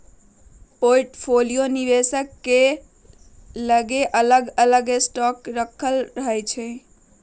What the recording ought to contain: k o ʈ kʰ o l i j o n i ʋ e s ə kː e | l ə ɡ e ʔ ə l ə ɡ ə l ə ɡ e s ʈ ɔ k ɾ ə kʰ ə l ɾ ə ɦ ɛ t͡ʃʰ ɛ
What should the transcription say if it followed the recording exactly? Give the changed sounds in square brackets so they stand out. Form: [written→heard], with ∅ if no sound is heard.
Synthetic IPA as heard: [k→p] o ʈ [kʰ→pʰ] o l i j o n i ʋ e s ə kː e | l ə ɡ e ʔ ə l ə ɡ ə l ə ɡ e s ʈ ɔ k ɾ ə kʰ ə l ɾ ə ɦ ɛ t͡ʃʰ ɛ